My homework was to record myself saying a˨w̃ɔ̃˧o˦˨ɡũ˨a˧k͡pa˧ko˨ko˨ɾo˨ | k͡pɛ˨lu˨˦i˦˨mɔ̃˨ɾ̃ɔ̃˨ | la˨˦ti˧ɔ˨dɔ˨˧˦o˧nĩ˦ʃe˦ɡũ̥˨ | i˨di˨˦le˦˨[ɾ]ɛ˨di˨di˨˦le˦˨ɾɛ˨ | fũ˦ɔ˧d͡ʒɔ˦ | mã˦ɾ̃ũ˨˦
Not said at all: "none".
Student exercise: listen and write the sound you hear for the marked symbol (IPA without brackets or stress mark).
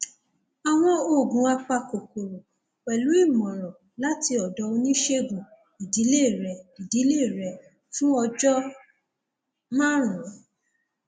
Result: ɾ